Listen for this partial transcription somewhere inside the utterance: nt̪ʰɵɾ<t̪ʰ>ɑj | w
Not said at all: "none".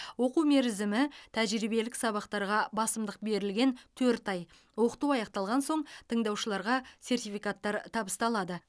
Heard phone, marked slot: t̪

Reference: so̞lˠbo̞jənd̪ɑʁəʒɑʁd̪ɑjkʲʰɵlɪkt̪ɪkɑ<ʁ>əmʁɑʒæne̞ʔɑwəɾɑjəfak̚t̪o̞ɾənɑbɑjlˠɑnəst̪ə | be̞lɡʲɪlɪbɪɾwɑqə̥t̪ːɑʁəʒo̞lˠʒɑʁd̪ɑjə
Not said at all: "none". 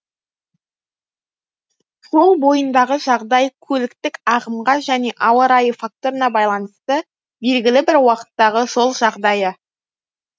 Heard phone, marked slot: ʁ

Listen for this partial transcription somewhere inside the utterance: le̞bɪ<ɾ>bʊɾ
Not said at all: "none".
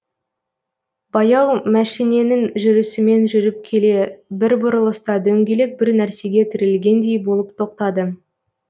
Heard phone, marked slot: ɾ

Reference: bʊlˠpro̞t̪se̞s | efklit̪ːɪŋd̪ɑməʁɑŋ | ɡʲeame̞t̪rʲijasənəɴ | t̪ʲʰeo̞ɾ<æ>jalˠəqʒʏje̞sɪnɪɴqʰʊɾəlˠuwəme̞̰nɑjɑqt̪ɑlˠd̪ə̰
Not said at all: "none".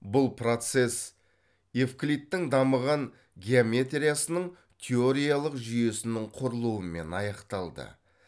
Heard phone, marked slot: i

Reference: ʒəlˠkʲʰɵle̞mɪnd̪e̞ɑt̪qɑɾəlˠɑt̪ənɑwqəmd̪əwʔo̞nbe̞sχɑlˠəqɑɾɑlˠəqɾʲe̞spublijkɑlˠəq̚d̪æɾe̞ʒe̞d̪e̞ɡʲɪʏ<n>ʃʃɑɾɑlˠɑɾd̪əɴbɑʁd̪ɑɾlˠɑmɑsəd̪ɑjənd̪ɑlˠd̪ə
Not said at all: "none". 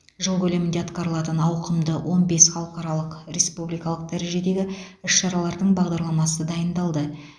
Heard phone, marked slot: none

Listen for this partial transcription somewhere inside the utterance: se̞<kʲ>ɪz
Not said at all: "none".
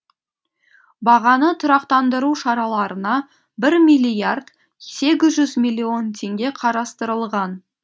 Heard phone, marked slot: ɡʲ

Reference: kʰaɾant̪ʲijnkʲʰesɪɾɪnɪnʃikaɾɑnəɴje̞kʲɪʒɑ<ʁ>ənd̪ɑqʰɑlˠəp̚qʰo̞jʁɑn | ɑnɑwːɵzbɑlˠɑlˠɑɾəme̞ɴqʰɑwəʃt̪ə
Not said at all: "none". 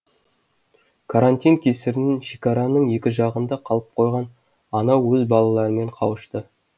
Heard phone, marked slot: ʁ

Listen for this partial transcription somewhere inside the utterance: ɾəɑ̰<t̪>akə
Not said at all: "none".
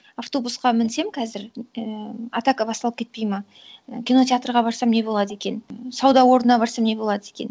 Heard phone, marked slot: t̪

